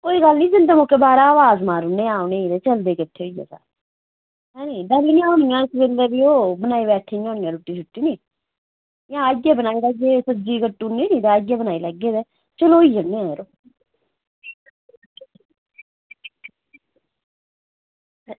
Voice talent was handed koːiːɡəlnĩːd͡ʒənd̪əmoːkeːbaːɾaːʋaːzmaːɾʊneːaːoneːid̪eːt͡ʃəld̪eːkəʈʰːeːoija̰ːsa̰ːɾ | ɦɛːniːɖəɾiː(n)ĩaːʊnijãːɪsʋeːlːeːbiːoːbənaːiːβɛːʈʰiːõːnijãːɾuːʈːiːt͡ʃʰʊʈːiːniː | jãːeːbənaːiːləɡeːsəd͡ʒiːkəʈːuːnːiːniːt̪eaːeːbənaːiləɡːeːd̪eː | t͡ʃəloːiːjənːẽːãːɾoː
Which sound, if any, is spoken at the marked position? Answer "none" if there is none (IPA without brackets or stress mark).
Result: n